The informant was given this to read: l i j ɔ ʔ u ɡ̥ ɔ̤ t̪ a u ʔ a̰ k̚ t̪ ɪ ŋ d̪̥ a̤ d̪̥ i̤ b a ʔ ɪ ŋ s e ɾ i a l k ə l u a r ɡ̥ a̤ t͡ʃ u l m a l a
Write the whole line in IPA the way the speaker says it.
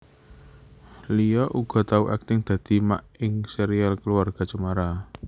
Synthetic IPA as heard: l i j ɔ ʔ u ɡ̥ ɔ̤ t̪ a u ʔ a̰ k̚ t̪ ɪ ŋ d̪̥ a̤ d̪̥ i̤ m a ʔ ɪ ŋ s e ɾ i a l k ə l u a r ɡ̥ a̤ t͡ʃ u m a ɾ a